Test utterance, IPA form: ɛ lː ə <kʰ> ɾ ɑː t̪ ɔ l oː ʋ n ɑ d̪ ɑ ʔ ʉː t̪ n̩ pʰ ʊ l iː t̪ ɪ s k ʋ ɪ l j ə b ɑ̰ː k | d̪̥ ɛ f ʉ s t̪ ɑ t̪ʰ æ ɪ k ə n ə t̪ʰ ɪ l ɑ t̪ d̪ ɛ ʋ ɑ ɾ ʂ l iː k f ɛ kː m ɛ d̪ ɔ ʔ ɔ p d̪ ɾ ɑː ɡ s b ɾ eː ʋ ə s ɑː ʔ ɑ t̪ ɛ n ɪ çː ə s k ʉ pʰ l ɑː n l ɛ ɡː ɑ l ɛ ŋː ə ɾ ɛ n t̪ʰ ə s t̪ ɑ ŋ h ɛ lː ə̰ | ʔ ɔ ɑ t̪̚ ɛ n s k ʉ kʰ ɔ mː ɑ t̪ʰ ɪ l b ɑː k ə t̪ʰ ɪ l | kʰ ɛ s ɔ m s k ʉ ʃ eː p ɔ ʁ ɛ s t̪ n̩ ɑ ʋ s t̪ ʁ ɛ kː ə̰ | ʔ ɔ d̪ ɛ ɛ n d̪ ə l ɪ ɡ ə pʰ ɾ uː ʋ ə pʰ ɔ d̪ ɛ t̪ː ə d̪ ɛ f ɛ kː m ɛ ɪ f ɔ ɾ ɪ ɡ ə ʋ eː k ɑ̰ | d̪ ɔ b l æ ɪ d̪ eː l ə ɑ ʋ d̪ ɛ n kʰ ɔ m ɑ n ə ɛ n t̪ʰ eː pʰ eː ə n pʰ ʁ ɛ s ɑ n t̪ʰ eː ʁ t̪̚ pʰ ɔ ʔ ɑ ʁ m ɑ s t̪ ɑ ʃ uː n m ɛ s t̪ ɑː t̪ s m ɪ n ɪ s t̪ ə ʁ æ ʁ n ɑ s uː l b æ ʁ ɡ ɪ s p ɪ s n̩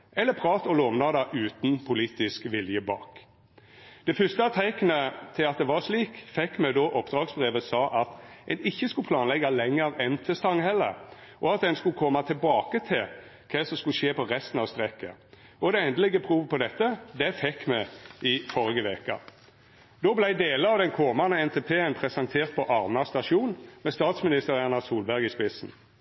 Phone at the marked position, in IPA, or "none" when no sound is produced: pʰ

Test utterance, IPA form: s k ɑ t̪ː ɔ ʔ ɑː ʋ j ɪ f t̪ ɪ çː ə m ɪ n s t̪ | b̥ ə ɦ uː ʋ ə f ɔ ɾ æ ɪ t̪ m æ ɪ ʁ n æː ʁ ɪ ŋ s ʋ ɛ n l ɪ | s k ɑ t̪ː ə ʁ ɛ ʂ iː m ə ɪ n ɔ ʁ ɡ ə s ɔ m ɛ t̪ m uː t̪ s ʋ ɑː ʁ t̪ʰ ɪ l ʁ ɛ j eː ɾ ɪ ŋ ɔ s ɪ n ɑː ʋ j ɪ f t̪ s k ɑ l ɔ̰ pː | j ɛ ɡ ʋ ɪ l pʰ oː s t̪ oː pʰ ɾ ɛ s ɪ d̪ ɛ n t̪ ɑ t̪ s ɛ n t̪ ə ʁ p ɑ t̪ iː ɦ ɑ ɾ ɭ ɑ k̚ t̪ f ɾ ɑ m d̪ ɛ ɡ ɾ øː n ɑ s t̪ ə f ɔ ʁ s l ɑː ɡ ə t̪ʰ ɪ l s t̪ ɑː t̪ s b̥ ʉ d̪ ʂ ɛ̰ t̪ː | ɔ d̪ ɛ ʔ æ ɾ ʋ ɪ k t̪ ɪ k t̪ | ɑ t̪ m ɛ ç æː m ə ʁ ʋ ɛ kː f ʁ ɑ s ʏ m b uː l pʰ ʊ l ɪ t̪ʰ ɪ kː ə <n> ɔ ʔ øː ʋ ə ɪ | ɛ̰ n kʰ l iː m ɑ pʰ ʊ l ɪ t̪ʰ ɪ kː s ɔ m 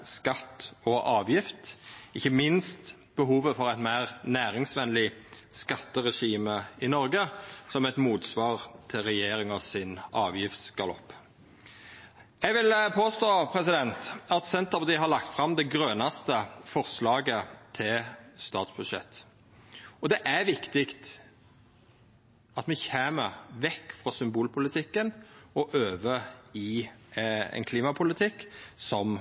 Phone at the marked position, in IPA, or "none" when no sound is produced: n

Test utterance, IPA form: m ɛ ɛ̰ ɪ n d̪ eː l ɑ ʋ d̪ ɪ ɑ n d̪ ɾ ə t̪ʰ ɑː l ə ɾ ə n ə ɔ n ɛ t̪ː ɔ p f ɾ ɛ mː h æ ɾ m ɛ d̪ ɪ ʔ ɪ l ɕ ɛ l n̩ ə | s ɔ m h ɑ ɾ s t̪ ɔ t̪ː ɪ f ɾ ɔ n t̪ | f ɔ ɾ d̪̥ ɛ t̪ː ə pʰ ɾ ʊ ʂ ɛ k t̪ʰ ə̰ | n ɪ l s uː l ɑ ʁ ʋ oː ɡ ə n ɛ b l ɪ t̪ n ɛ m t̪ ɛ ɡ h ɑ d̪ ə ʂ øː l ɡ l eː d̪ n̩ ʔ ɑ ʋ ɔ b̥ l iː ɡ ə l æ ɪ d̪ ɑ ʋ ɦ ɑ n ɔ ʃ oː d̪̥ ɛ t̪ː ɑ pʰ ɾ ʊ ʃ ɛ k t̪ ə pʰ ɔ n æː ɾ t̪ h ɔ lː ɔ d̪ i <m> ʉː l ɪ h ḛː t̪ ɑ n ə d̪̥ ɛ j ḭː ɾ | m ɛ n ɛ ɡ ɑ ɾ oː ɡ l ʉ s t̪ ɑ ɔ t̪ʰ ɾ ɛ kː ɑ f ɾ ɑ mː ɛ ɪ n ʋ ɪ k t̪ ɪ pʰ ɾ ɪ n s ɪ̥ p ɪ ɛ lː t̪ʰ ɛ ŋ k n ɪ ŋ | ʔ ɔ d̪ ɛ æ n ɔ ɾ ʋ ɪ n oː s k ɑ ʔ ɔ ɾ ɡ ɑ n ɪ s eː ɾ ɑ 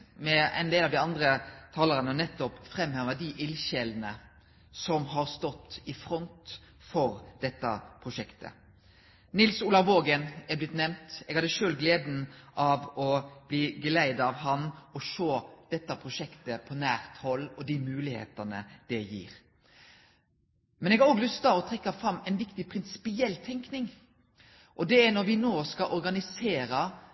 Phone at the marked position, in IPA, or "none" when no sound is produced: m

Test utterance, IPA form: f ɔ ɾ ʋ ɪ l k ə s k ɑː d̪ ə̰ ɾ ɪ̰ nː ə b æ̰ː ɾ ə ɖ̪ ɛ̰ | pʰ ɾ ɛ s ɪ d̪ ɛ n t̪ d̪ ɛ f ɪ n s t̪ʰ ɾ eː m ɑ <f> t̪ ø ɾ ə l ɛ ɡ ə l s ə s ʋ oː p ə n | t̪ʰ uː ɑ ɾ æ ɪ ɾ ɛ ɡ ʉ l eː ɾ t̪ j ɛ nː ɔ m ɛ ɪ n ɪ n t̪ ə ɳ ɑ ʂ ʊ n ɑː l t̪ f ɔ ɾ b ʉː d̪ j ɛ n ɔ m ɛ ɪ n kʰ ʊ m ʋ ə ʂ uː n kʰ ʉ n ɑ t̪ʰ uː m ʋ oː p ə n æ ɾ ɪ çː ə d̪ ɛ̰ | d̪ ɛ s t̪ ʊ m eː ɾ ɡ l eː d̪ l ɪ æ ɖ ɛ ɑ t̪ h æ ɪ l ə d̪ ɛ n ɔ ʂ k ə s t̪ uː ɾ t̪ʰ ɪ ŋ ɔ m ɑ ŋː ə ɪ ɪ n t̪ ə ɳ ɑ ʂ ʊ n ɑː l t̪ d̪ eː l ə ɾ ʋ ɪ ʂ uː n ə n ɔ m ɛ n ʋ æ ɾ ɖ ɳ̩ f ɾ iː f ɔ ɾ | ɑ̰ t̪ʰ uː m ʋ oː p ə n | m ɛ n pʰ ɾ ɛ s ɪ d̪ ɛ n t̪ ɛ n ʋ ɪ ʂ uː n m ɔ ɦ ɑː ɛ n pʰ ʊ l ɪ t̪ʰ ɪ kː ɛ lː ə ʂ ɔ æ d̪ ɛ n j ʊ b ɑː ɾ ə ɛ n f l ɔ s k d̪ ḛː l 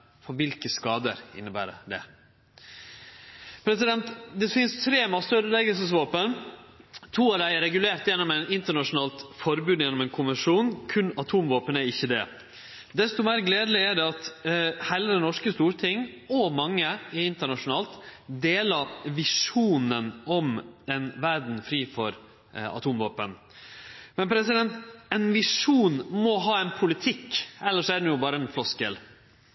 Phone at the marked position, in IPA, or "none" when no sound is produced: s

